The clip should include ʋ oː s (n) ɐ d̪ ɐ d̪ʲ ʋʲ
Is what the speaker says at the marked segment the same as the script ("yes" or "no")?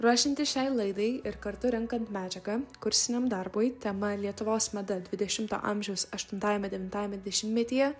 no